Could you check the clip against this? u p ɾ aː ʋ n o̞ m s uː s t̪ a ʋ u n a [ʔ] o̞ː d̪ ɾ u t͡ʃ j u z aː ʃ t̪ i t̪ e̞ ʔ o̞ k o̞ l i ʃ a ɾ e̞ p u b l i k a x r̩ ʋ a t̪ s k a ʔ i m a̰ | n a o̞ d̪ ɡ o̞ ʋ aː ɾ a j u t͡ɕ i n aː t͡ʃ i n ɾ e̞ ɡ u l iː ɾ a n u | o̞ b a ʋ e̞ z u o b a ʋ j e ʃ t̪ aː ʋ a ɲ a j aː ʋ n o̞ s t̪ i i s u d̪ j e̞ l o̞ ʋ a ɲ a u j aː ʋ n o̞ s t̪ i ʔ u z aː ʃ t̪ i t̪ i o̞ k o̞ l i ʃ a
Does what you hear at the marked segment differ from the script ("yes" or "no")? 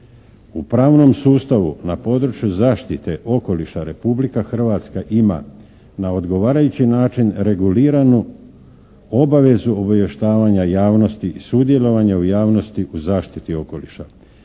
yes